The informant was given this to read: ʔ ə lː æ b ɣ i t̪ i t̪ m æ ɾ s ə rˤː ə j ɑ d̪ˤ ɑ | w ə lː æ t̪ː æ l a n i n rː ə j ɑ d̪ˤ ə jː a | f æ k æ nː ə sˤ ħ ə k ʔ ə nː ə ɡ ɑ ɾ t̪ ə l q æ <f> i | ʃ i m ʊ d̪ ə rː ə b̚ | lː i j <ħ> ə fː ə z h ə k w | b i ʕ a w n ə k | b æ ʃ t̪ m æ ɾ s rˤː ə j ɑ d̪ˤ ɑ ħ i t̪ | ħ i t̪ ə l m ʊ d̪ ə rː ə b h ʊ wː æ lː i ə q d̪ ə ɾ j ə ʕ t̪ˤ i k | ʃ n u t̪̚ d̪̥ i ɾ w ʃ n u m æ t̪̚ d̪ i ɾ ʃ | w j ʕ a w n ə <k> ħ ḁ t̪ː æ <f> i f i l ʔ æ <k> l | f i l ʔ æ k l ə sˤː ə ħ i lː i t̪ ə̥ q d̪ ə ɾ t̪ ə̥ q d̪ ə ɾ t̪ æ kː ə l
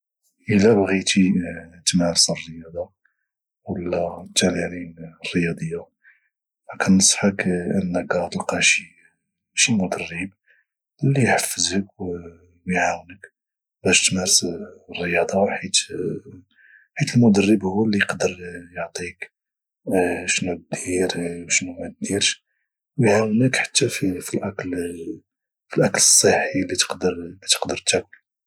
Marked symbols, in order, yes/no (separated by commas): no, yes, yes, yes, yes